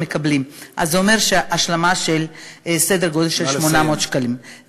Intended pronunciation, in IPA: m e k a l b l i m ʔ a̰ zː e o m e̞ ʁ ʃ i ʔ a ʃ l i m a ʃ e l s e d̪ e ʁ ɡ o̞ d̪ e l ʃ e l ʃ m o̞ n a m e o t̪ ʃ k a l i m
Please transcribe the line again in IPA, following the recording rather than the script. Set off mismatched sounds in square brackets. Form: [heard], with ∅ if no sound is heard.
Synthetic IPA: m e k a [∅] b l i m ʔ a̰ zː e o m e̞ ʁ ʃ [e] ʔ a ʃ l [a] m a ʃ e l s e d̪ e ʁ ɡ o̞ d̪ e l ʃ e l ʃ m o̞ n a m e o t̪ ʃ k a l i m